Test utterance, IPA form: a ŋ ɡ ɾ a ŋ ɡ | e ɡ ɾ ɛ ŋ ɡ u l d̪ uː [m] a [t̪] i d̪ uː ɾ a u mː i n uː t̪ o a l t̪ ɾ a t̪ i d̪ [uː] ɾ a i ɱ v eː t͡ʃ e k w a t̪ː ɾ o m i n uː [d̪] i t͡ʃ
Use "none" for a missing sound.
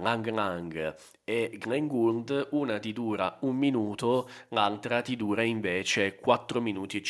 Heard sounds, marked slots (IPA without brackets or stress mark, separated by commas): n, t̪, uː, t̪